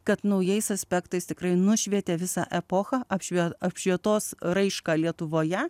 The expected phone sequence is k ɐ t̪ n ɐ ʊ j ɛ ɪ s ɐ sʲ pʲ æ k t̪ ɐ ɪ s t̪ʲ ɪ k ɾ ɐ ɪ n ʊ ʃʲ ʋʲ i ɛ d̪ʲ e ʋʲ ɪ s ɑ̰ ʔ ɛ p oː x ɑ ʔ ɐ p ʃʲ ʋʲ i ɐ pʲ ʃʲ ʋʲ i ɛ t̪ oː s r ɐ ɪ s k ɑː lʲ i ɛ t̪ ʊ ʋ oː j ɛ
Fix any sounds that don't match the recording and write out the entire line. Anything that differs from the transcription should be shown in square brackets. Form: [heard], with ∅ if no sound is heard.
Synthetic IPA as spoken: k ɐ t̪ n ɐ ʊ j ɛ ɪ s ɐ sʲ pʲ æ k t̪ ɐ ɪ s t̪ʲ ɪ k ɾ ɐ ɪ n ʊ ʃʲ ʋʲ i ɛ [t̪ʲ] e ʋʲ ɪ s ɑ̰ ʔ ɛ p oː x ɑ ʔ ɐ p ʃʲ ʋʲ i ɐ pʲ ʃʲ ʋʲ i ɛ t̪ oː s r ɐ ɪ [ʃ] k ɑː lʲ i ɛ t̪ ʊ ʋ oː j ɛ